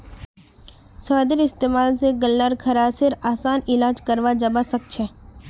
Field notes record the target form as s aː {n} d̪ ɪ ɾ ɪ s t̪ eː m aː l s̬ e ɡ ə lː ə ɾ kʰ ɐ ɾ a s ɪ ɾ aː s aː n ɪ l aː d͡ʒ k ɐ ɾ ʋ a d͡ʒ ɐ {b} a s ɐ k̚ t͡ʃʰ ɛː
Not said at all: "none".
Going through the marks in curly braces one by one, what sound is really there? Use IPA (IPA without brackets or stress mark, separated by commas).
none, b